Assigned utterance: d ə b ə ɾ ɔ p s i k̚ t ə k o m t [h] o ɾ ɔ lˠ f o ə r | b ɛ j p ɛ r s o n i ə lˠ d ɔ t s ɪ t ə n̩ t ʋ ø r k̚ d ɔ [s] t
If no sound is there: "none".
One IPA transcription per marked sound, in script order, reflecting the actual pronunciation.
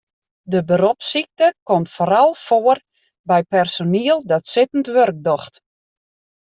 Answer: f, x

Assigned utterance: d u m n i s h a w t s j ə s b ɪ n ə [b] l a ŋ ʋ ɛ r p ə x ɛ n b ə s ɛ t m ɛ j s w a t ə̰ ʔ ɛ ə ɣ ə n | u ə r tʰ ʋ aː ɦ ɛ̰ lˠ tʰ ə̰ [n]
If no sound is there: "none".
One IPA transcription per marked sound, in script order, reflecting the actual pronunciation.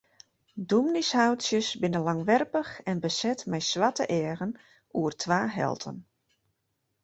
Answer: none, n

